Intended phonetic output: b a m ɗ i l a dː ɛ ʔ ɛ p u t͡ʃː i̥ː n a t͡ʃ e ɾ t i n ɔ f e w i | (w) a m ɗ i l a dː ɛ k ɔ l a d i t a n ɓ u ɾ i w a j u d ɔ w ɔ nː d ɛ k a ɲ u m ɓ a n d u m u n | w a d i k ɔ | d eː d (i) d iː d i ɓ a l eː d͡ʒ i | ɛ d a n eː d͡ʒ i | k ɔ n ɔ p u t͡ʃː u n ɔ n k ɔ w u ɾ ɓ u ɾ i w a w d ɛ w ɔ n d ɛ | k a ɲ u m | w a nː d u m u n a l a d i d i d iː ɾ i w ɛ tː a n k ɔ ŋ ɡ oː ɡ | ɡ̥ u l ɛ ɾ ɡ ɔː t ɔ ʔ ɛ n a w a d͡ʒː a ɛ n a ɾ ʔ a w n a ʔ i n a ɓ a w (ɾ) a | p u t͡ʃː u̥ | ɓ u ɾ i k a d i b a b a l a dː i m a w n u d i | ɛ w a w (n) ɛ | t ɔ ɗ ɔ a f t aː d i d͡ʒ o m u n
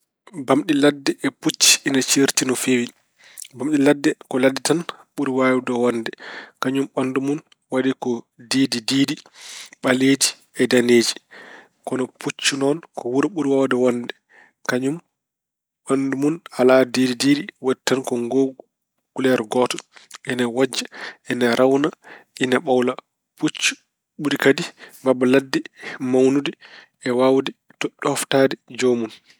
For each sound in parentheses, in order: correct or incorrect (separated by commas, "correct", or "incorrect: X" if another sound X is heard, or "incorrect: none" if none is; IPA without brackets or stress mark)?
incorrect: b, correct, incorrect: l, incorrect: d